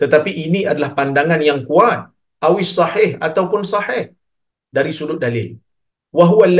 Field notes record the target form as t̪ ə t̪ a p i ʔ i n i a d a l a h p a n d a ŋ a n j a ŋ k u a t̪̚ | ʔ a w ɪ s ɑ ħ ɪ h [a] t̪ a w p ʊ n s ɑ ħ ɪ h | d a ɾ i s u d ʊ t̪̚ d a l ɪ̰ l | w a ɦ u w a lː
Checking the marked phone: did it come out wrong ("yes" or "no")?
no